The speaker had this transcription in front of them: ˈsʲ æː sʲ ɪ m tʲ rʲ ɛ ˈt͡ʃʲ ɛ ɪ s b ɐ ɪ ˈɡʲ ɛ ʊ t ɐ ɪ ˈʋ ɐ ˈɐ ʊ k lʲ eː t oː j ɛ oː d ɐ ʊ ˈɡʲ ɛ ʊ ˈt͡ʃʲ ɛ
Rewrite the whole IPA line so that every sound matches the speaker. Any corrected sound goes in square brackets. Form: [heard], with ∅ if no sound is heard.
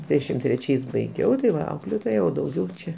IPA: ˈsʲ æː [ʃʲ] ɪ m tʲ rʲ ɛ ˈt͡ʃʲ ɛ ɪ s b ɐ ɪ ˈɡʲ ɛ ʊ t ɐ ɪ ˈʋ ɐ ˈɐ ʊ k lʲ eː t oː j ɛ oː d ɐ ʊ ˈɡʲ ɛ ʊ ˈt͡ʃʲ ɛ